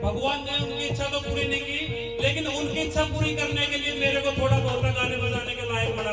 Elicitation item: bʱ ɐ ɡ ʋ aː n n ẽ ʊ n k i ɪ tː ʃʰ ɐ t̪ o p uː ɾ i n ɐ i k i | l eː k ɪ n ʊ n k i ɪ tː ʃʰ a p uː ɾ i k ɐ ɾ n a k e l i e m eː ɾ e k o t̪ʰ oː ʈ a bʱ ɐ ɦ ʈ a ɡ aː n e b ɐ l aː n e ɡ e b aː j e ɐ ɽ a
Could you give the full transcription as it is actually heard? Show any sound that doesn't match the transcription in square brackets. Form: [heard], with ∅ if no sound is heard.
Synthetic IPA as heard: bʱ ɐ ɡ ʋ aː n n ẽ ʊ n k i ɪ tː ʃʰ [a] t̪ o p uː ɾ i n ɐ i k i | l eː k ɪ n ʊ n k i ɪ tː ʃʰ a p uː ɾ i k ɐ ɾ n [e] k e l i e m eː ɾ e k o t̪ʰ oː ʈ a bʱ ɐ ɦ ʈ a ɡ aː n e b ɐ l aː n e [k] e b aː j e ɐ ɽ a